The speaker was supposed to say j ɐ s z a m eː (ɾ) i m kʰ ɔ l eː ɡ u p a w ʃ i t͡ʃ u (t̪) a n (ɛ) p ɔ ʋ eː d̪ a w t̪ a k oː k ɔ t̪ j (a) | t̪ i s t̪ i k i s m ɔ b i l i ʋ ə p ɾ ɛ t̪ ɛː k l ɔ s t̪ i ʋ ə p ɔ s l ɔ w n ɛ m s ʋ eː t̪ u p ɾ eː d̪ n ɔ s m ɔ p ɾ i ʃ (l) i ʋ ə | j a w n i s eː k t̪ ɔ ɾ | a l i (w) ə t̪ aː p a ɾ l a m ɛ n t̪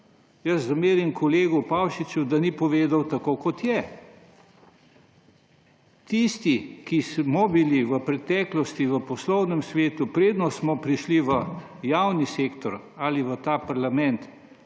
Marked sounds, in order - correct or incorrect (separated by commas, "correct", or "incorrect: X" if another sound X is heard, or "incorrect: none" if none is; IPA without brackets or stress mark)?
correct, incorrect: d̪, incorrect: i, incorrect: ɛ, correct, incorrect: ʋ